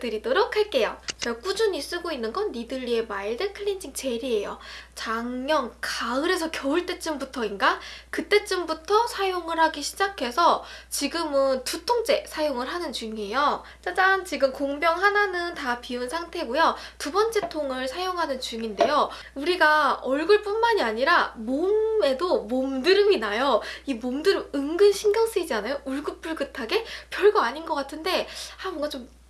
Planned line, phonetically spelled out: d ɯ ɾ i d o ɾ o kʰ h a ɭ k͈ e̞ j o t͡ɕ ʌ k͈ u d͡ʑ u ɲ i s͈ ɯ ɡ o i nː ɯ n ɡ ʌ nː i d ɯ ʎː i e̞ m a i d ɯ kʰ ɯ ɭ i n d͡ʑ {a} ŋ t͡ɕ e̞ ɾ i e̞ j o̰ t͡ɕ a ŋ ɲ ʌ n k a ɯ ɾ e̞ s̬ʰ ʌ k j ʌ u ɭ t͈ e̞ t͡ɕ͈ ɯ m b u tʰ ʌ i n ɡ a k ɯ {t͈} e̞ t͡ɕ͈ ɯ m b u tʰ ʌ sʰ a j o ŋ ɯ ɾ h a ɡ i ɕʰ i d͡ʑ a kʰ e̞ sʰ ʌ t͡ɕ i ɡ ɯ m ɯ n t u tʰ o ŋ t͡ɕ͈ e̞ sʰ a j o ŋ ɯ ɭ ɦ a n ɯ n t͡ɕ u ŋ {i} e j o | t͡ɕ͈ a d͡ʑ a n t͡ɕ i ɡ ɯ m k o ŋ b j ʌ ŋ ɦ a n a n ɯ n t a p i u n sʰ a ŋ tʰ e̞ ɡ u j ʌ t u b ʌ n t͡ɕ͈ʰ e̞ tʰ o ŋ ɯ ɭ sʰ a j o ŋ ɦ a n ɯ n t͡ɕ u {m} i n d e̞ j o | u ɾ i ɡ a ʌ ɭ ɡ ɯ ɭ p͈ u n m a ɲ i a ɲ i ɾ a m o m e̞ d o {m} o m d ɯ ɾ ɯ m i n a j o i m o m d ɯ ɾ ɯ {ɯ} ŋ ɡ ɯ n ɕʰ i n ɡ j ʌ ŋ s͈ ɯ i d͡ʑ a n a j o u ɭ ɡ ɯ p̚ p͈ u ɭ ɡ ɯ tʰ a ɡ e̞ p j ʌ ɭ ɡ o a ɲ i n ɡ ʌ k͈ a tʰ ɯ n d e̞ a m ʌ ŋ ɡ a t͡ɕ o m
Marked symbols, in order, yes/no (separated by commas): no, yes, yes, no, yes, yes